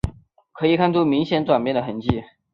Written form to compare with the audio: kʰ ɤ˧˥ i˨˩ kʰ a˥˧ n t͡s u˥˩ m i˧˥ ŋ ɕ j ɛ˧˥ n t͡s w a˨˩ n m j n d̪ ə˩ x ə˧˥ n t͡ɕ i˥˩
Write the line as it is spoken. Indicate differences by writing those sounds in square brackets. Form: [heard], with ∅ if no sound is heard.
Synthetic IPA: kʰ ɤ˧˥ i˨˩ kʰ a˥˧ n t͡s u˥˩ m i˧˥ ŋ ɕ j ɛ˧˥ n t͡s w a˨˩ n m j n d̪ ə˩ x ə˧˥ n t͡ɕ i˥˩

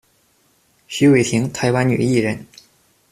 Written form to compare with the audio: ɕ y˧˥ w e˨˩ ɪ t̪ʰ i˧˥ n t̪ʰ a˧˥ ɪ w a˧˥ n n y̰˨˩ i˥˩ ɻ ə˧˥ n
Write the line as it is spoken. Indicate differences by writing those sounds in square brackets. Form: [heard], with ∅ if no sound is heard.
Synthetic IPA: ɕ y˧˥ w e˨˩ ɪ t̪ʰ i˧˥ [ŋ] t̪ʰ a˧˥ ɪ w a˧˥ n n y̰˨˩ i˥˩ ɻ ə˧˥ n

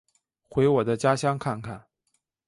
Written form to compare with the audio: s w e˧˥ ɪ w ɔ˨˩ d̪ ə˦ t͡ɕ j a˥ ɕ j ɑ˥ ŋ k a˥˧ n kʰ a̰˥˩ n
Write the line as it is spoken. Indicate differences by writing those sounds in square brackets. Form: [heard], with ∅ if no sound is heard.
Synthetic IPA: [x] w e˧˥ ɪ w ɔ˨˩ d̪ ə˦ t͡ɕ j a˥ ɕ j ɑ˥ ŋ [kʰ] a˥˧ n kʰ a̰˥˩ n

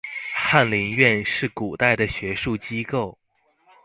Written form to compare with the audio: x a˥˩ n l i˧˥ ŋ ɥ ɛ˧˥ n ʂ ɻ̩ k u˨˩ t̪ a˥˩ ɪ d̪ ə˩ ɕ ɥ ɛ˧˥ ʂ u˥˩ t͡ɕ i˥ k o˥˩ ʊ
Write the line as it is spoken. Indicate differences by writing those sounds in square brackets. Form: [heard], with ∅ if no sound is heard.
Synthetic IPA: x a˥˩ n l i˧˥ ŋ ɥ [ɛ˥˧] n ʂ ɻ̩ k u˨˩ t̪ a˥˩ ɪ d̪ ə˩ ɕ ɥ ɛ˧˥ ʂ u˥˩ t͡ɕ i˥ k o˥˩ ʊ

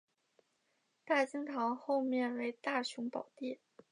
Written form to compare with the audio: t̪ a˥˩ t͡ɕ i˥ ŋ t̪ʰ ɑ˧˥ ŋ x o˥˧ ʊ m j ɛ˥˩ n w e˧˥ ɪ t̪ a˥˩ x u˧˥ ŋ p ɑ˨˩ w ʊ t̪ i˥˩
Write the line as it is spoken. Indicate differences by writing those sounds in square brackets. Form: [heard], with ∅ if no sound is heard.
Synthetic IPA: t̪ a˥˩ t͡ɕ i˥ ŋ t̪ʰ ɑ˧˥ ŋ x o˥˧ ʊ m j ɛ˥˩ n w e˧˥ ɪ t̪ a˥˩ [ɕ] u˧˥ ŋ p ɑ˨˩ [∅] ʊ t̪ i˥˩

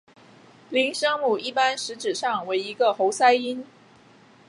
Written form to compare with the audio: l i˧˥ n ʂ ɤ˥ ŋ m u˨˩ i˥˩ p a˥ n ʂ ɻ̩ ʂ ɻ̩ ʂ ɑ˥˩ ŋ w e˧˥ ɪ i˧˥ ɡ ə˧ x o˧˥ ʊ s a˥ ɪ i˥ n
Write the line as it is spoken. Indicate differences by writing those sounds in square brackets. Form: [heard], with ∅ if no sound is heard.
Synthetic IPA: l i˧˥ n ʂ ɤ˥ ŋ m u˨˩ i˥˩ p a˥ n ʂ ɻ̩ [ʈ͡ʂ] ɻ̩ ʂ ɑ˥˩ ŋ w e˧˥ ɪ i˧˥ ɡ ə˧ x o˧˥ ʊ s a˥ ɪ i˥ n

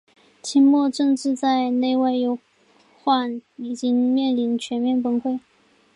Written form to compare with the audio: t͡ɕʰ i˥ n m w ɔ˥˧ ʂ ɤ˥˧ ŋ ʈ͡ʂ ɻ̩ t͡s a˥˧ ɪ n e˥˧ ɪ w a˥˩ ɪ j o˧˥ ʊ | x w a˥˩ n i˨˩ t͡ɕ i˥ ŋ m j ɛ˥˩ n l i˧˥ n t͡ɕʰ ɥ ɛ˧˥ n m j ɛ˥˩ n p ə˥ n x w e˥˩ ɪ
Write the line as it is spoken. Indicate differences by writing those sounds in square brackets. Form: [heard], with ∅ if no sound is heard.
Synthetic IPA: t͡ɕʰ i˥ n m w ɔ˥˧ [ʈ͡ʂ] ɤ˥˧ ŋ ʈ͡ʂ ɻ̩ t͡s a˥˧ ɪ n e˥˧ ɪ w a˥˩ ɪ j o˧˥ ʊ | x w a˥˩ n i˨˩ t͡ɕ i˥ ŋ m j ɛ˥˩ n l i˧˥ n t͡ɕʰ ɥ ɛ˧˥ n m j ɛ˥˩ n p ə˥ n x w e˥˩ ɪ

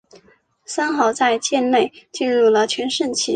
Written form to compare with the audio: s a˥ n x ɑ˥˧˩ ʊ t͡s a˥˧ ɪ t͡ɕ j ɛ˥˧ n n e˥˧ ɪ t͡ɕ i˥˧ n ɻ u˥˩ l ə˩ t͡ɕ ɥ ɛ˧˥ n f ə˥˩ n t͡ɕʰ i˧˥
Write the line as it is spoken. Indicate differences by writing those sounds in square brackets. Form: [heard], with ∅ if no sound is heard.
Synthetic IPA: s a˥ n x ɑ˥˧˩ ʊ t͡s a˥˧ ɪ t͡ɕ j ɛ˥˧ n n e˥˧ ɪ t͡ɕ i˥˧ n ɻ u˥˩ l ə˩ [t͡ɕʰ] ɥ ɛ˧˥ n [ʂ] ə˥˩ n t͡ɕʰ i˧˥

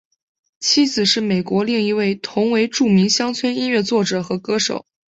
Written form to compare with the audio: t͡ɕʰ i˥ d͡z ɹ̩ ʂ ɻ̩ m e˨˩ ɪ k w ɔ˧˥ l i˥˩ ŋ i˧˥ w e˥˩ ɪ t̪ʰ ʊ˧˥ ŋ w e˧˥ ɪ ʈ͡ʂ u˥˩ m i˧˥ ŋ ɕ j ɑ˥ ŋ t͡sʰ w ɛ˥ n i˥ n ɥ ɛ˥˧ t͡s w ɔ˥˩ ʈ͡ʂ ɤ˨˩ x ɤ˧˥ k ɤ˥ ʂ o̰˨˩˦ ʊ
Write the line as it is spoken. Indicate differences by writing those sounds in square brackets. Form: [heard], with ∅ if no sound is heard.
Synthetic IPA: t͡ɕʰ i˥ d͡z ɹ̩ ʂ ɻ̩ m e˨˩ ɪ k w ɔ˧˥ l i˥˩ ŋ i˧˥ w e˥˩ ɪ t̪ʰ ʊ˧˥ ŋ w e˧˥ ɪ ʈ͡ʂ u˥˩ m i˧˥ ŋ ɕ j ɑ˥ ŋ t͡sʰ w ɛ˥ n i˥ n ɥ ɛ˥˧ t͡s w ɔ˥˩ ʈ͡ʂ ɤ˨˩ x ɤ˧˥ k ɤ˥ ʂ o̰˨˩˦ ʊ

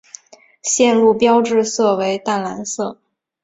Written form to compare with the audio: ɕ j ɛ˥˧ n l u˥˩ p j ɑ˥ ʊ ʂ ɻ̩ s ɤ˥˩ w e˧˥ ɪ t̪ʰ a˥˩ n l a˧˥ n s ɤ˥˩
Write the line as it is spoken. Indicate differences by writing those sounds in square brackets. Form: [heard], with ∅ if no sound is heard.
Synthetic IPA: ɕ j ɛ˥˧ n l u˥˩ p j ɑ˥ ʊ [ʈ͡ʂ] ɻ̩ s ɤ˥˩ w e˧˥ ɪ [t̪] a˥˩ n l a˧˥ n s ɤ˥˩

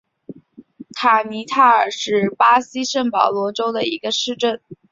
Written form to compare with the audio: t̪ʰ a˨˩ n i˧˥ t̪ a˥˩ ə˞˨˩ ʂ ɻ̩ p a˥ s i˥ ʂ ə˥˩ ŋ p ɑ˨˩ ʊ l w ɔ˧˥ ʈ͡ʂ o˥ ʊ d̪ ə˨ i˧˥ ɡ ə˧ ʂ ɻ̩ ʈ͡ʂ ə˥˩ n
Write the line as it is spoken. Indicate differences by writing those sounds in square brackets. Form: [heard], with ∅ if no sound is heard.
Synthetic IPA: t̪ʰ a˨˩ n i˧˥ [t̪ʰ] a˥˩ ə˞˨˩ ʂ ɻ̩ p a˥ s i˥ ʂ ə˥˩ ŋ p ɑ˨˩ ʊ l w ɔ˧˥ ʈ͡ʂ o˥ ʊ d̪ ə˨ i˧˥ ɡ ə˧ ʂ ɻ̩ ʈ͡ʂ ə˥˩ n

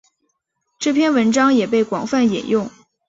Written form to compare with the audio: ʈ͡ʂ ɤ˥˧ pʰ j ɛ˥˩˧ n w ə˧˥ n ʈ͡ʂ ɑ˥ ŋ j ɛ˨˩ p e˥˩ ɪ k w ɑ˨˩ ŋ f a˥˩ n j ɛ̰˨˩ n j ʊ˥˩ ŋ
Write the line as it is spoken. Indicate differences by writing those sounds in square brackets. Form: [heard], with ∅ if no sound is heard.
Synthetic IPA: ʈ͡ʂ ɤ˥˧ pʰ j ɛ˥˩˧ n w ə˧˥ n ʈ͡ʂ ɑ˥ ŋ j ɛ˨˩ p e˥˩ ɪ k w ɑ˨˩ ŋ f a˥˩ n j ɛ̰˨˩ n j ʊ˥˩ ŋ

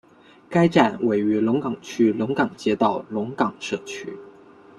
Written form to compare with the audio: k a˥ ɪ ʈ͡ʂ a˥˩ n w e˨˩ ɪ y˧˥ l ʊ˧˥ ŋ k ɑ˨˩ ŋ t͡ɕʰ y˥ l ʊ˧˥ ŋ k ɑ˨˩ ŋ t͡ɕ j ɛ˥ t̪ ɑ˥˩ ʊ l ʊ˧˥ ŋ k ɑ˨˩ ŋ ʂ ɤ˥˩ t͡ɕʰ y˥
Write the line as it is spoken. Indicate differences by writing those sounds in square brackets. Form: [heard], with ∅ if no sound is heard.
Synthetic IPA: k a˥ ɪ ʈ͡ʂ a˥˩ n w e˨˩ ɪ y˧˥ l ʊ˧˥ ŋ k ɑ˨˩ ŋ t͡ɕʰ y˥ l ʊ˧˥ ŋ k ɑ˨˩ ŋ t͡ɕ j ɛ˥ t̪ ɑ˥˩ ʊ l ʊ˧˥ ŋ k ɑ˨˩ ŋ ʂ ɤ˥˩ t͡ɕʰ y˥

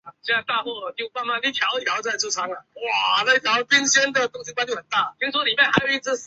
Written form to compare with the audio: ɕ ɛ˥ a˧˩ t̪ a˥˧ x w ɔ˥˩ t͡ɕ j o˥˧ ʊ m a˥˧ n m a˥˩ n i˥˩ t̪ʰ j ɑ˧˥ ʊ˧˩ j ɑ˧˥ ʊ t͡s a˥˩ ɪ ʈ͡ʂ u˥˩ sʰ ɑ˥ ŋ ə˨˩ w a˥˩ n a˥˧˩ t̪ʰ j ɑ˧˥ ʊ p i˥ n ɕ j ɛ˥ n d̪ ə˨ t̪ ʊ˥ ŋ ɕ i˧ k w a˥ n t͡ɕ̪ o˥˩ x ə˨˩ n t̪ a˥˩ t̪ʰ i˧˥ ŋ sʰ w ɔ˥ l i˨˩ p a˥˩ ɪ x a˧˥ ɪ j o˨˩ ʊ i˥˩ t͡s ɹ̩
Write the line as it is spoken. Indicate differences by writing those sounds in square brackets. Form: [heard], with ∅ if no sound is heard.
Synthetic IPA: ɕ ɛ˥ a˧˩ t̪ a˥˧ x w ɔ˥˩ t͡ɕ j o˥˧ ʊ m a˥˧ n m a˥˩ n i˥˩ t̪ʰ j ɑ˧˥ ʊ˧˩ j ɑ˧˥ ʊ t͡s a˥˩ ɪ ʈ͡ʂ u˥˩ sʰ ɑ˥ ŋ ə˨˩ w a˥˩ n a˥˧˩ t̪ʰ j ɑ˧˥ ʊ p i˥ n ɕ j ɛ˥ n d̪ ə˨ t̪ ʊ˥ ŋ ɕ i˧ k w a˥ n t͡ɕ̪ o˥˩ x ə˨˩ n t̪ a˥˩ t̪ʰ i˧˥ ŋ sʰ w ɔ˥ l i˨˩ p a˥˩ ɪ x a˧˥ ɪ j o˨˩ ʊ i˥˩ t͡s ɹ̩

